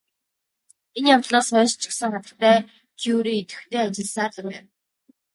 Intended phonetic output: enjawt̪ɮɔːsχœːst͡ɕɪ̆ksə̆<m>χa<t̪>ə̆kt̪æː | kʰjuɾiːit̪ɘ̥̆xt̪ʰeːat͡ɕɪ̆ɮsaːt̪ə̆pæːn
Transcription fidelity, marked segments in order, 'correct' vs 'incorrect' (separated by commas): incorrect, correct